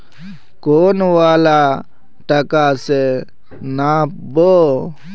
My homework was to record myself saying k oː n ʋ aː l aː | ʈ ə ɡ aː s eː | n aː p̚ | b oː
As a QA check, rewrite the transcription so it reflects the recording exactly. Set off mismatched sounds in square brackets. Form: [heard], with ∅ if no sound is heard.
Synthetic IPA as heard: k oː n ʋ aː l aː | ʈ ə [k] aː s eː | n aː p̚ | b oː